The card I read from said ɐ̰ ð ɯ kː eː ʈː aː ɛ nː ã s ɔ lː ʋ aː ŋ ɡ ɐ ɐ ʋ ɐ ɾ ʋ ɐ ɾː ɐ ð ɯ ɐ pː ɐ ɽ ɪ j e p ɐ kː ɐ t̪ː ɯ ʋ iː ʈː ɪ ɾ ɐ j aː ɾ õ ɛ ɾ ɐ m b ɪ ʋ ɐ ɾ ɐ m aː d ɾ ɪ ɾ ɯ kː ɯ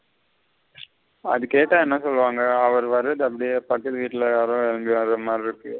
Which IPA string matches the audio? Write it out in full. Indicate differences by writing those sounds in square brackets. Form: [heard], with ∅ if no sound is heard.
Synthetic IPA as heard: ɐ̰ ð ɯ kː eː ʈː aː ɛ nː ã s ɔ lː ʋ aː ŋ ɡ ɐ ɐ ʋ ɐ ɾ ʋ ɐ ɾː ɐ ð ɯ ɐ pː ɐ ɽ ɪ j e p ɐ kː ɐ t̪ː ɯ ʋ iː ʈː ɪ [l] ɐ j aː ɾ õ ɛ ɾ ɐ m b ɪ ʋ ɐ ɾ ɐ m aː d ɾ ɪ ɾ ɯ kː ɯ